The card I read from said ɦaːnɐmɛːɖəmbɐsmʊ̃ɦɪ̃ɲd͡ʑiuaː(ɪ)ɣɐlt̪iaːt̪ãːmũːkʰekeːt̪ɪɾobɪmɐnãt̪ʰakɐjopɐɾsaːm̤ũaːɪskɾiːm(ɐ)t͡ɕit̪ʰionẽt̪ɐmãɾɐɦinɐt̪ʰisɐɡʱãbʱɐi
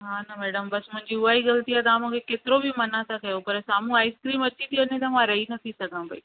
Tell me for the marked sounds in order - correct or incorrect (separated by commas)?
incorrect, correct